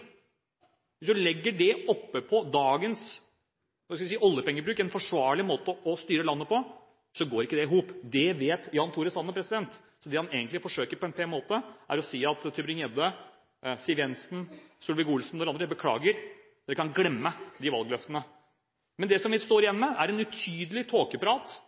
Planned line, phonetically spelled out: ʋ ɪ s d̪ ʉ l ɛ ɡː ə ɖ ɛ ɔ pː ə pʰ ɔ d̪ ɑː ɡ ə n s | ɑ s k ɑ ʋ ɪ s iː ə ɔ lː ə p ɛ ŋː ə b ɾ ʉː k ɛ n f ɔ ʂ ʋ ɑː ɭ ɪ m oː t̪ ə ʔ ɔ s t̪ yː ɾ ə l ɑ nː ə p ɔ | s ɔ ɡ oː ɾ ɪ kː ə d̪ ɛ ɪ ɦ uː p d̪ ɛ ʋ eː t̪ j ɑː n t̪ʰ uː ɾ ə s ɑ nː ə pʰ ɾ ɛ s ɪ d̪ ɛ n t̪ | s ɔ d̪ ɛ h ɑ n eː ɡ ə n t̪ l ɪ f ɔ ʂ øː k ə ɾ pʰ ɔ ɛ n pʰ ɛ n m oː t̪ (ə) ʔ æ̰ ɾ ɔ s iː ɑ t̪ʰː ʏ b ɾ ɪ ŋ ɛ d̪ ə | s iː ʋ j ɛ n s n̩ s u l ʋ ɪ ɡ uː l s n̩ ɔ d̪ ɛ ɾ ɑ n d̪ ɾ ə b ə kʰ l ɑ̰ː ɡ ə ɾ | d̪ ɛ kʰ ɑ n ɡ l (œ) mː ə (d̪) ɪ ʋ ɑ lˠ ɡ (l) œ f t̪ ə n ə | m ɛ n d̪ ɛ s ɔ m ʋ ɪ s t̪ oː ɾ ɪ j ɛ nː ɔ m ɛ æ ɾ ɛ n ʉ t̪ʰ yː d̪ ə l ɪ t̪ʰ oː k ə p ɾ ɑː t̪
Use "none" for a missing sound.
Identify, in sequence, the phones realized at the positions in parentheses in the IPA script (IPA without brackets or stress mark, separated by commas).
ə, ɛ, d̪, l